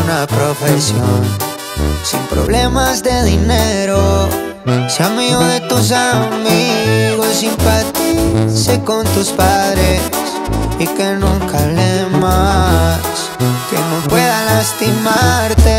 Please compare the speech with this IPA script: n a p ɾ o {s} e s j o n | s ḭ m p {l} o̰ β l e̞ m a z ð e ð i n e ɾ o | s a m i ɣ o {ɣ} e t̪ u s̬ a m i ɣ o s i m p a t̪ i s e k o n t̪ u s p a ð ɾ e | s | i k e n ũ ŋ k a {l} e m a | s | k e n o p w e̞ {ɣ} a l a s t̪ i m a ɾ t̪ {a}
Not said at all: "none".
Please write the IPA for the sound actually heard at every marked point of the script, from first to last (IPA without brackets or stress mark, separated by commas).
f, ɾ, ð, l, ð, e